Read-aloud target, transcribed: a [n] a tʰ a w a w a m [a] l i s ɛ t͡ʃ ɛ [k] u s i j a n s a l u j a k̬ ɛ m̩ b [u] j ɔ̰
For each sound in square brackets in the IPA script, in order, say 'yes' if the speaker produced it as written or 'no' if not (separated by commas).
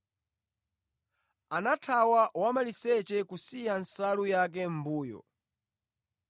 yes, yes, yes, no